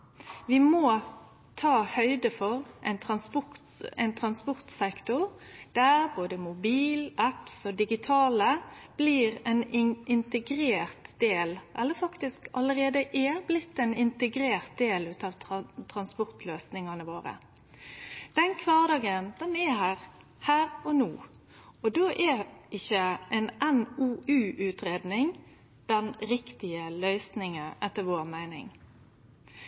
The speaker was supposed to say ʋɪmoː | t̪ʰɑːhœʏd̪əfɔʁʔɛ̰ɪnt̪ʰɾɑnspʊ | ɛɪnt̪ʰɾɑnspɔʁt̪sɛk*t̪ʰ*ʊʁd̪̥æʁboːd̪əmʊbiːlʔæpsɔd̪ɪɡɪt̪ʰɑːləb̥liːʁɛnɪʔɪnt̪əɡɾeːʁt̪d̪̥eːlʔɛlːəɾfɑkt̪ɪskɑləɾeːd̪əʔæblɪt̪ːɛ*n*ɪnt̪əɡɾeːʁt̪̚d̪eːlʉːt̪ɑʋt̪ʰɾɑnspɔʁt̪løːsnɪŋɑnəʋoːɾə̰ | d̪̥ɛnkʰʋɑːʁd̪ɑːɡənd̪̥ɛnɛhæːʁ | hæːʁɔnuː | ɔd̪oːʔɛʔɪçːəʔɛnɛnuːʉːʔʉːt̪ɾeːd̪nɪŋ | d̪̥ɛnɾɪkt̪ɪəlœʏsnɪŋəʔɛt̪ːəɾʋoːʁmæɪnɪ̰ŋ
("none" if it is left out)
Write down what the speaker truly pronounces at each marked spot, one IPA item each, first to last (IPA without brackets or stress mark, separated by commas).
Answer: t̪, n